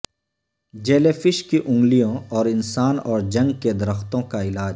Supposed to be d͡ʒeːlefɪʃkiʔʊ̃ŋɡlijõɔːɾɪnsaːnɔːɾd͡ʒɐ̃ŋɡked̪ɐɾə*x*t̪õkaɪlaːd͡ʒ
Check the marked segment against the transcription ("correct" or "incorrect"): correct